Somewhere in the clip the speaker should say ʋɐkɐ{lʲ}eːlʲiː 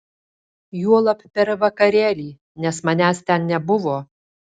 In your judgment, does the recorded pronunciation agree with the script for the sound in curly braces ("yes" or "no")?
no